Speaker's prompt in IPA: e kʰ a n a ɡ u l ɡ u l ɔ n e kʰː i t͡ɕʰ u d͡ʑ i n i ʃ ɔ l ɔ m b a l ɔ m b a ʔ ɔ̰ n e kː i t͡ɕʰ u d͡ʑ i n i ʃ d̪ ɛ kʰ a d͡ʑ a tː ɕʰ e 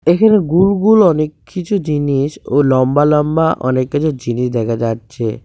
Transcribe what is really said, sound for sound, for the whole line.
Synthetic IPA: e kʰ a n e ɡ u l ɡ u l ɔ n e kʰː i t͡ɕʰ u d͡ʑ i n i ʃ o l ɔ m b a l ɔ m b a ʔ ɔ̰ n e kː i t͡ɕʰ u d͡ʑ i n i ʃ d̪ ɛ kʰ a d͡ʑ a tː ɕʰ e